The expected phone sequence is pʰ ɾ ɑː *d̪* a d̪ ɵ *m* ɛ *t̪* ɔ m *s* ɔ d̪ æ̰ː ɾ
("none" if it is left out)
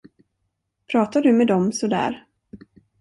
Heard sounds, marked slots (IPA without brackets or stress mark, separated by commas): t̪, m, d̪, s